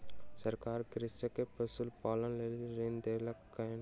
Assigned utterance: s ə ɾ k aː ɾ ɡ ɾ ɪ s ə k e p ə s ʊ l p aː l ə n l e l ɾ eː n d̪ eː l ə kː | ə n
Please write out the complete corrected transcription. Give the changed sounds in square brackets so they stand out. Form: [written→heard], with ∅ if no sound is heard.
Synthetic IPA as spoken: s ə ɾ k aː ɾ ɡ ɾ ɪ s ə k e p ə s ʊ l p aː l ə n l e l ɾ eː n d̪ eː l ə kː | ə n